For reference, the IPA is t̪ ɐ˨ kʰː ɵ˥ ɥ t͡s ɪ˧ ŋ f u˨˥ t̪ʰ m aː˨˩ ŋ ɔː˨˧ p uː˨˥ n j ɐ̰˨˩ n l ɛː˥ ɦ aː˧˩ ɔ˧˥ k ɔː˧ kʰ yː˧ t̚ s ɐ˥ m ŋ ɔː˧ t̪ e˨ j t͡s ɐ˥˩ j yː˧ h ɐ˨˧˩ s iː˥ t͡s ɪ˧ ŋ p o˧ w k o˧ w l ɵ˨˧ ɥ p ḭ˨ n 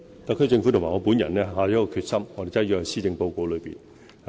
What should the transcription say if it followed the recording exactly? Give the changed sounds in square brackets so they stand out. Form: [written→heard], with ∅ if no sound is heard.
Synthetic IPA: t̪ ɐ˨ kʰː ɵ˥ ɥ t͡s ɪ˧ ŋ f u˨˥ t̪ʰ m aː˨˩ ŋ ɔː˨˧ p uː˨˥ n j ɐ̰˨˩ n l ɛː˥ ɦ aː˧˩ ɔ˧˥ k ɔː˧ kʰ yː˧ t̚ s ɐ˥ m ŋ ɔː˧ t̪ e˨ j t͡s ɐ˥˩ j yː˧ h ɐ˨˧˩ s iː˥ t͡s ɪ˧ ŋ p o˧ w k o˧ w l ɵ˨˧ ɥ p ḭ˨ n